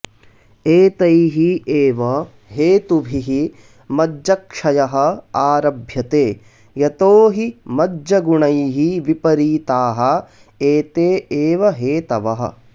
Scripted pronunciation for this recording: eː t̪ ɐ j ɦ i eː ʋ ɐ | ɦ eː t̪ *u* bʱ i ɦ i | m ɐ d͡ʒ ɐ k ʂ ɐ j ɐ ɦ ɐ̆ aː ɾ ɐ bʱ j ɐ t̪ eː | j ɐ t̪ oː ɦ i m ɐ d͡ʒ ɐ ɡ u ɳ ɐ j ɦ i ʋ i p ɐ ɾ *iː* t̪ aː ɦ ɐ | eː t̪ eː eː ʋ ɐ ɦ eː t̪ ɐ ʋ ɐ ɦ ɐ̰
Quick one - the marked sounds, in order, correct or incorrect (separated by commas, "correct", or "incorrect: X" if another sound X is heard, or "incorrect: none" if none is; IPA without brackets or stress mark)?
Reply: correct, correct